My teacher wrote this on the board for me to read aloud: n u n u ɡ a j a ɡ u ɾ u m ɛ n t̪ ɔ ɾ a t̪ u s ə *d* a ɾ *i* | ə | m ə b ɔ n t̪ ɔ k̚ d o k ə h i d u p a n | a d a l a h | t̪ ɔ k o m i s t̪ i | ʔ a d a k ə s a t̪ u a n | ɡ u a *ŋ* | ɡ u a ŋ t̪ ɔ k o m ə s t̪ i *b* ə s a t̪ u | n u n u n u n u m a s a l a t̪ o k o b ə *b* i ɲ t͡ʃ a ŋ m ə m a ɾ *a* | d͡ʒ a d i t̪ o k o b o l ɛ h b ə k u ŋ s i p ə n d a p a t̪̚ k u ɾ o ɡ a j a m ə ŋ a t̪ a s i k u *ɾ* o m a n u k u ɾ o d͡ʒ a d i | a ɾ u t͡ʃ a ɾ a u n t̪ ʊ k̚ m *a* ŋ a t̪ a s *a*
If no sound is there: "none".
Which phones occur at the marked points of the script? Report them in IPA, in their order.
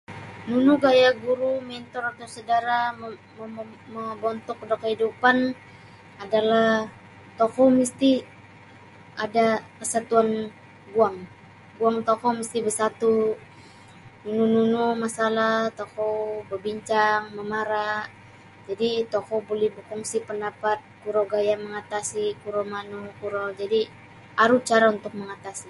d, a, ŋ, b, b, a, ɾ, ə, i

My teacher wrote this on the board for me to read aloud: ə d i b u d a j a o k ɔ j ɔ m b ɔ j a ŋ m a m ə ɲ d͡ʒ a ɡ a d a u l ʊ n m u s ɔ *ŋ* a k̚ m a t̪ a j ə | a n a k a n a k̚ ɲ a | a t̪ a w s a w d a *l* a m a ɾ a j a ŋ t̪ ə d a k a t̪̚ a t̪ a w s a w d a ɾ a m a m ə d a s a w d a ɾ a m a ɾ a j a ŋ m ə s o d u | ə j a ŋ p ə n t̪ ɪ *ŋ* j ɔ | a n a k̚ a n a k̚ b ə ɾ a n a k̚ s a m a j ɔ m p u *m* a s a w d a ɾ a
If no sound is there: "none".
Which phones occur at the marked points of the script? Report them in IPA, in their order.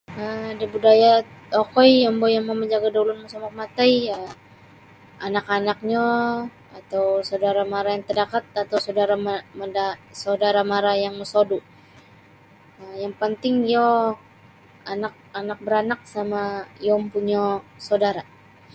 m, ɾ, ŋ, ɲ

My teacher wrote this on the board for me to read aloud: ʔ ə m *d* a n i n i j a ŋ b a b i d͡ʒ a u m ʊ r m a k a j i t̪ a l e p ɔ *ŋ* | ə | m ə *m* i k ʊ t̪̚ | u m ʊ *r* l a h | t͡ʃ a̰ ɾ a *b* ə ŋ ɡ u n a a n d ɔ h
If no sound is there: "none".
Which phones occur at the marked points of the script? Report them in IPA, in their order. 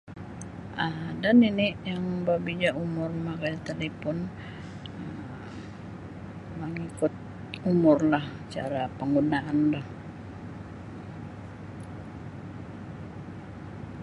d, n, ŋ, r, p

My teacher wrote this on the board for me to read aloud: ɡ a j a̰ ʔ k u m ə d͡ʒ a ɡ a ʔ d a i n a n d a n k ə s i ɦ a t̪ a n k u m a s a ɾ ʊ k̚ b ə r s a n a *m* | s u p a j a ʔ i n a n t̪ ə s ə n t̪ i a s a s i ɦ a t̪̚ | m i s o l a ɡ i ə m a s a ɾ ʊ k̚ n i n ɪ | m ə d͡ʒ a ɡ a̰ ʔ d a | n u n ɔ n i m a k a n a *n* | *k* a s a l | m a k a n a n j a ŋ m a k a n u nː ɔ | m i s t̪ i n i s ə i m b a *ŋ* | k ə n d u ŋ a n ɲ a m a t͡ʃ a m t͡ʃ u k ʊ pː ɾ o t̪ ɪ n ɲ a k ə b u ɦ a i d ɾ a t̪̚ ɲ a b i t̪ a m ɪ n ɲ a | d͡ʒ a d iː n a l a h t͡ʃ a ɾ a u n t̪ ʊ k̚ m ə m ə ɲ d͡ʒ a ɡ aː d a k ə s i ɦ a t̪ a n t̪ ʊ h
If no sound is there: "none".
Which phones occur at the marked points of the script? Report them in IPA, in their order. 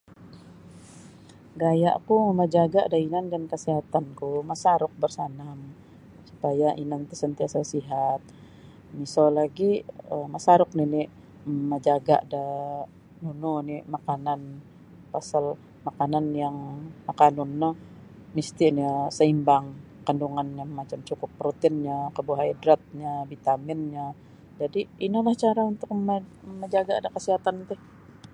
m, n, p, ŋ

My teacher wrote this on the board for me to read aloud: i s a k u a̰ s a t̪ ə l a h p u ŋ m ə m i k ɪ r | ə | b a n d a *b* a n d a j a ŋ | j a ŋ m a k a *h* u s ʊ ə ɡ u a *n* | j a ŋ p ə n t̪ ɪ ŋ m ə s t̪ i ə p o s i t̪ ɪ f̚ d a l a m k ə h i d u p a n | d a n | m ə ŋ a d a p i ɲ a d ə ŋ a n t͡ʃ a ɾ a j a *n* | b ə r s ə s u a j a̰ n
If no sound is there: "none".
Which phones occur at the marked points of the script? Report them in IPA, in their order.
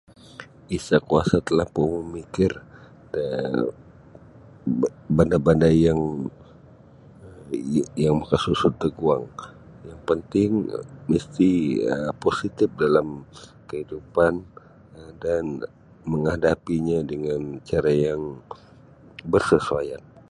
b, s, ŋ, ŋ

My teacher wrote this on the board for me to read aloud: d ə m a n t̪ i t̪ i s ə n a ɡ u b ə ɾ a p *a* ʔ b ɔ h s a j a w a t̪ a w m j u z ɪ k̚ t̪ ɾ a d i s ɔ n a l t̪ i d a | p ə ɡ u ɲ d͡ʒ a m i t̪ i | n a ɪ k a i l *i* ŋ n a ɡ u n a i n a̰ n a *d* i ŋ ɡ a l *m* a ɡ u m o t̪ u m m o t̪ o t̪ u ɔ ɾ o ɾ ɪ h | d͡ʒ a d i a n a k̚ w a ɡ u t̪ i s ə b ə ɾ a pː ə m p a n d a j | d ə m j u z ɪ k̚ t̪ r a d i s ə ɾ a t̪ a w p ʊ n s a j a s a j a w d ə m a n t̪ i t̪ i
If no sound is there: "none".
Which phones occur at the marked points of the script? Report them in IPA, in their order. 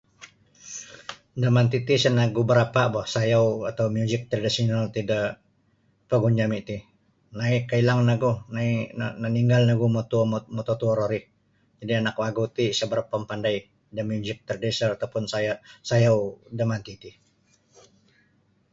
a, a, n, n

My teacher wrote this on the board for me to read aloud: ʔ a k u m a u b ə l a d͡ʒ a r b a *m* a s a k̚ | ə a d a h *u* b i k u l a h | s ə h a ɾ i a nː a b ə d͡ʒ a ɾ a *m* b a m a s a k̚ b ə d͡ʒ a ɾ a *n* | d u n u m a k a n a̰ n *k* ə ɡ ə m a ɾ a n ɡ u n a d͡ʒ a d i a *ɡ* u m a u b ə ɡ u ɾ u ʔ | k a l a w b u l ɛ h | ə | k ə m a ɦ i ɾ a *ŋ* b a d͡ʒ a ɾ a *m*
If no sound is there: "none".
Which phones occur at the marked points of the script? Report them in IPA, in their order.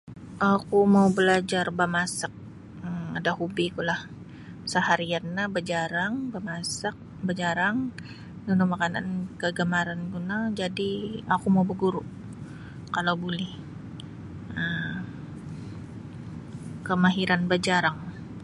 m, u, ŋ, ŋ, k, k, n, ŋ

